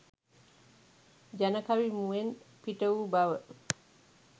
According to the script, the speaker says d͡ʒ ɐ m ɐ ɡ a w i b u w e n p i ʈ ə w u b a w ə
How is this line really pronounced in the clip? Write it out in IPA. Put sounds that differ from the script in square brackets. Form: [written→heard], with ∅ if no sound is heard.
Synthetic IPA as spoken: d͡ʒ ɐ [m→n] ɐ [ɡ→k] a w i [b→m] u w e n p i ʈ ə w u b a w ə